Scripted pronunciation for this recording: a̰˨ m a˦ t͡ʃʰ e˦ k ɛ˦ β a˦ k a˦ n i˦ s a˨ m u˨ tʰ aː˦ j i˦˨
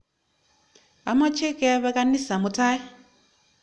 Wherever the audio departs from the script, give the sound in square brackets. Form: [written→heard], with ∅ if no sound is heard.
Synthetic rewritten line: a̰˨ m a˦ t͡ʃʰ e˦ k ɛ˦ β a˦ k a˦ n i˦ s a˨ m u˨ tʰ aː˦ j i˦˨